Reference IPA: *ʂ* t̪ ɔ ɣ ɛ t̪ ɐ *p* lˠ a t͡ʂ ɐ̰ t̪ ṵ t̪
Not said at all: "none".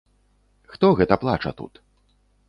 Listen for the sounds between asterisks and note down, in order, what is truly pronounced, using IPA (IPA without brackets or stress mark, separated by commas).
x, p